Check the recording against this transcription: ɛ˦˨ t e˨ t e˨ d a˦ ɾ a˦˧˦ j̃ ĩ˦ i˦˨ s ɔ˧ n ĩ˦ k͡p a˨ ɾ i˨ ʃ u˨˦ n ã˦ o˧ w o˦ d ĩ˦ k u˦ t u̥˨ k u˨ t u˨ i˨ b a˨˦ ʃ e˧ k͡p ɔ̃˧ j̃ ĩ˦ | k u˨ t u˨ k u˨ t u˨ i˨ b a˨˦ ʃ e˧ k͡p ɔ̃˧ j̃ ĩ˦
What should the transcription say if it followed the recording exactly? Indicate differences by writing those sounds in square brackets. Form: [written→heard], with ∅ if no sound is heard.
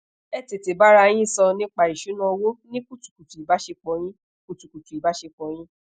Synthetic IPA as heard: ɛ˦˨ t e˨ t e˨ [d→b] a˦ ɾ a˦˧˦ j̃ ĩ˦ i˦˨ s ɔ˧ n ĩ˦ k͡p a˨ ɾ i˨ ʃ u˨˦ n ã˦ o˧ w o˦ [d→n] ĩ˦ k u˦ t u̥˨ k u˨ t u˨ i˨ b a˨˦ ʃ e˧ k͡p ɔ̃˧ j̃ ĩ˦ | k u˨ t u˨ k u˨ t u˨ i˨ b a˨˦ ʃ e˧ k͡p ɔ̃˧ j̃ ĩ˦